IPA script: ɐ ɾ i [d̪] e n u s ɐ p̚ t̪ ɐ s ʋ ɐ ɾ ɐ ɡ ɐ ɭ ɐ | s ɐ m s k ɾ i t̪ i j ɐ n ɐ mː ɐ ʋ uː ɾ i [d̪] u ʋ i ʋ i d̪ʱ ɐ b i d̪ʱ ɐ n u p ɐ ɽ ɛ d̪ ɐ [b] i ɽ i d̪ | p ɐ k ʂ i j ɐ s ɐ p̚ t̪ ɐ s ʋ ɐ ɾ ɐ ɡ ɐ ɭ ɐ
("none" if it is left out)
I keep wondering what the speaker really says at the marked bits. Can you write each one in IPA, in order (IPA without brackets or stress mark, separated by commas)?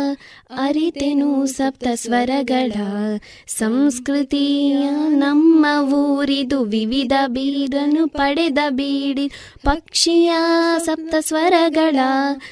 t̪, d̪, b